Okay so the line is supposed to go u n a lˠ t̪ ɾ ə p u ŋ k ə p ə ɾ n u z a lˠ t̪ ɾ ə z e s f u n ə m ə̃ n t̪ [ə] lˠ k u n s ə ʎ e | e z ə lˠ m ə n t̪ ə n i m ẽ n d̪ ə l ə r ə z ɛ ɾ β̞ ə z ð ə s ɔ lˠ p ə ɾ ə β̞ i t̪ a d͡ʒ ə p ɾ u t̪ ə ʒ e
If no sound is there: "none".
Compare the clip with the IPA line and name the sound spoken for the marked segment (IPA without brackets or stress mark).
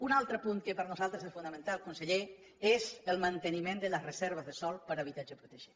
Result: a